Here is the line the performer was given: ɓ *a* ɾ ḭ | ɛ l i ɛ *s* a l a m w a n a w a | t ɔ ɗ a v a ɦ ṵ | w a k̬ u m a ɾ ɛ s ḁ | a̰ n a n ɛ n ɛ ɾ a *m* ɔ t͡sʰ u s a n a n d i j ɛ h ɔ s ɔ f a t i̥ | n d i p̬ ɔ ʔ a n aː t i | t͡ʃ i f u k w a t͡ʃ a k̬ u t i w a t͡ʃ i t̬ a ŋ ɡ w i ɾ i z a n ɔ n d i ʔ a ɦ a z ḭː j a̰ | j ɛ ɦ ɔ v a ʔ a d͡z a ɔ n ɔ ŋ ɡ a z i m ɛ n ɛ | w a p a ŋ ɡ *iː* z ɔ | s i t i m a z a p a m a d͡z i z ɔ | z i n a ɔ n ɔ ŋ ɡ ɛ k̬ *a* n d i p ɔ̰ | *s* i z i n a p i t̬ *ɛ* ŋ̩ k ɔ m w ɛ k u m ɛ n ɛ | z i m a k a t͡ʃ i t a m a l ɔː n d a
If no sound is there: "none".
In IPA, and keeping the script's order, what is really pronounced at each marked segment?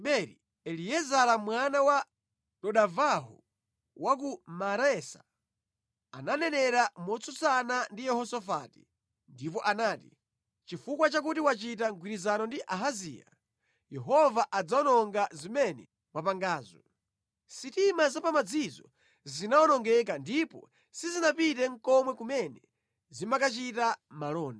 ɛ, z, m, aː, a, s, ɛ

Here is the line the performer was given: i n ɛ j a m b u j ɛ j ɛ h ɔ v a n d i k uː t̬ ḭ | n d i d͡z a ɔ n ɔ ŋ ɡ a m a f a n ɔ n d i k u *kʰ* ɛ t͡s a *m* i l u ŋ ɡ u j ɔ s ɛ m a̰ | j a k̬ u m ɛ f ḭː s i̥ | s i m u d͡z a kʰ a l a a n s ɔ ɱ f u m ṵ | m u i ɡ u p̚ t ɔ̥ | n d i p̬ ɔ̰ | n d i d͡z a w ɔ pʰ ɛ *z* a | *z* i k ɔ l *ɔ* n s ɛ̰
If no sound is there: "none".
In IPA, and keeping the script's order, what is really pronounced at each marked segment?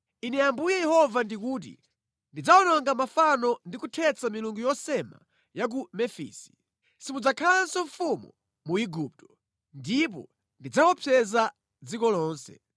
tʰ, m, z, d͡z, ɔː

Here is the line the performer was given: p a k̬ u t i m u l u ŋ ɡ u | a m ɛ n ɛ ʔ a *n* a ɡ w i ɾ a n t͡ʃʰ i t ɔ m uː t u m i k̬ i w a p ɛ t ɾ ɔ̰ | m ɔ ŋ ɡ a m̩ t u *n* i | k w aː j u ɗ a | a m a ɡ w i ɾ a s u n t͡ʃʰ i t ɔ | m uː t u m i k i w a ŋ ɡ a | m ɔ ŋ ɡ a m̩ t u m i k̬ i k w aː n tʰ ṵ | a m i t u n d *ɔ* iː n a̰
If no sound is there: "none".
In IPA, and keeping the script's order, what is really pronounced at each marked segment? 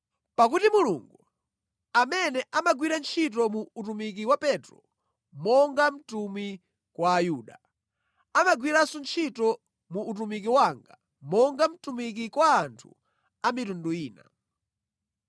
m, m, u

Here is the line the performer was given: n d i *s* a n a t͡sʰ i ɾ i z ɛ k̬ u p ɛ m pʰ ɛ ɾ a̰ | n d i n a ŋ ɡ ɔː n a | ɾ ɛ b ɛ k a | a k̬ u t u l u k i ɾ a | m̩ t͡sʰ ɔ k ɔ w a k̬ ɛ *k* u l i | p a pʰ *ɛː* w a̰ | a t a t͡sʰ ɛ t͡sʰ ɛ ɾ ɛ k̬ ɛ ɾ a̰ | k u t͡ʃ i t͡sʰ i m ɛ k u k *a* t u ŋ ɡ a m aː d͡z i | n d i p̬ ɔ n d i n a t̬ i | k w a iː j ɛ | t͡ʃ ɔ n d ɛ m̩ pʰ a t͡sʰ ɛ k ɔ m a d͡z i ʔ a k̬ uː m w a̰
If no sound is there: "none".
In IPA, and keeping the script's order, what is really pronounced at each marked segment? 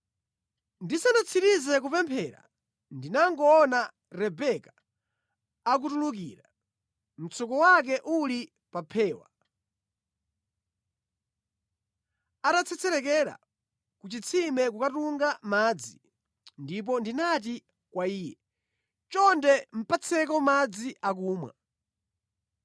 s, ʔ, ɛː, a

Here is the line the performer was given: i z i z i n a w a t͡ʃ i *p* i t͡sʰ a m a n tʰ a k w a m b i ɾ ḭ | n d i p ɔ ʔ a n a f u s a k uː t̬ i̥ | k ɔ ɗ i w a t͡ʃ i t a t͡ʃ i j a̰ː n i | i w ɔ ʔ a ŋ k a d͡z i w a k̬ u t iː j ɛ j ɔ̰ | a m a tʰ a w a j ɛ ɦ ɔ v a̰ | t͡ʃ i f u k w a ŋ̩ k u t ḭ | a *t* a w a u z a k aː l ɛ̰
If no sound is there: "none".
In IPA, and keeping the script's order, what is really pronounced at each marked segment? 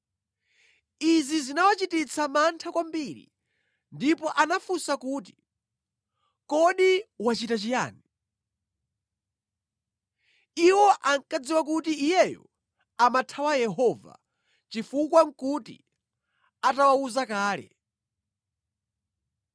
t, t

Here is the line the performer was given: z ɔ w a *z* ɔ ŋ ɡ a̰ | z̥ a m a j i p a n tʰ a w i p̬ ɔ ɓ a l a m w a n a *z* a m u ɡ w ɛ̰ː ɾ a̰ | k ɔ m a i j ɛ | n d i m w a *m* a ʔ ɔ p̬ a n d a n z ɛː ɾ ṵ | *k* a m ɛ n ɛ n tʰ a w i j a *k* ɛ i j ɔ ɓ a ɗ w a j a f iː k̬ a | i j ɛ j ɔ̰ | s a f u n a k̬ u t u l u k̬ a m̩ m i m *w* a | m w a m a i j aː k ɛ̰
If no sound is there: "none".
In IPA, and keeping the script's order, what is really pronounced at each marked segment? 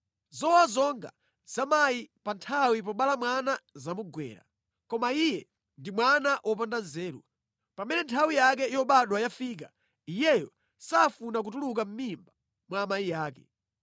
z, z, n, p, k, b

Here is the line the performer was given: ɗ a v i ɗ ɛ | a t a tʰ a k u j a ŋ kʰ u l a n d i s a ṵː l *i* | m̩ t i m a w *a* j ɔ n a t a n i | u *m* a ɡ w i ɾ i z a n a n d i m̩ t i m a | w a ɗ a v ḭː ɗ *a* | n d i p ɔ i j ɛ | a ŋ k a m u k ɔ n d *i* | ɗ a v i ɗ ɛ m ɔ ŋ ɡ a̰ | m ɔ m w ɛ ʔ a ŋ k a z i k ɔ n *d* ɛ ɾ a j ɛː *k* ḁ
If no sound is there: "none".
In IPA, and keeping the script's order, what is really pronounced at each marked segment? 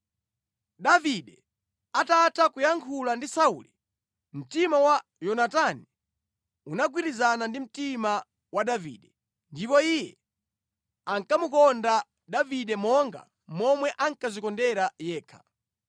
i, a, n, ɛ, a, d, kʰ

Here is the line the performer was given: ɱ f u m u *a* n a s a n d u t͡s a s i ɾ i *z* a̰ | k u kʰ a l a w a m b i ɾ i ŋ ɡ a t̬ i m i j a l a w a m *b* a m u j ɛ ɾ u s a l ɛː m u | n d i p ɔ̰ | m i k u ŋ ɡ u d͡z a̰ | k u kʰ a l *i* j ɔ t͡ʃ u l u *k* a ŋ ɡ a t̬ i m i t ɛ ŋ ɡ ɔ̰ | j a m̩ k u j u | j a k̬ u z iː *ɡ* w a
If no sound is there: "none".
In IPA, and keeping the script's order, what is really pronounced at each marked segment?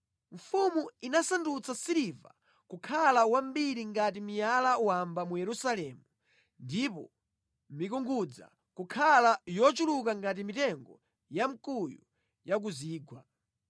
i, v, b, a, k, ɡ

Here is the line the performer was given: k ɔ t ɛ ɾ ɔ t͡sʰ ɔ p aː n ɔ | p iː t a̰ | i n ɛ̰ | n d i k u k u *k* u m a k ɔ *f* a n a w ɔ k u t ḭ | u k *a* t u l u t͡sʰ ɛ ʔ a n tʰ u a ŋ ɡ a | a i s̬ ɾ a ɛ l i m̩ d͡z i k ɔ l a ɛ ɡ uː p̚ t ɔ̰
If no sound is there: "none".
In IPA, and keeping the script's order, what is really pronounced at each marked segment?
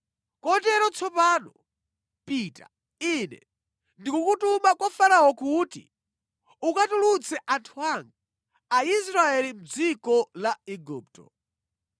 t, f, a

